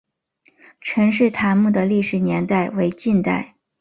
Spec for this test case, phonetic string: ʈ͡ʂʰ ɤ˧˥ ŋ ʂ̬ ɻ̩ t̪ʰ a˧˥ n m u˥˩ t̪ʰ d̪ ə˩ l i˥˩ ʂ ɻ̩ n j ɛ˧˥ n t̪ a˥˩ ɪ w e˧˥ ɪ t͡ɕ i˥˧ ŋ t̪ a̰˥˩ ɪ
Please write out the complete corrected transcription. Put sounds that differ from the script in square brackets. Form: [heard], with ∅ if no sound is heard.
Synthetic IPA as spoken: ʈ͡ʂʰ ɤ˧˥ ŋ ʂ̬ ɻ̩ t̪ʰ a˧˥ n m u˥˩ [∅] d̪ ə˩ l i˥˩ ʂ ɻ̩ n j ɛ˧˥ n t̪ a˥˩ ɪ w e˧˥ ɪ t͡ɕ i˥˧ [n] t̪ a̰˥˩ ɪ